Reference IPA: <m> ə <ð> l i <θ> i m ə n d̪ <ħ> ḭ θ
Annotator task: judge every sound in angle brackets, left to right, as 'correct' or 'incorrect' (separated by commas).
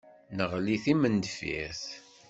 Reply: incorrect, incorrect, correct, incorrect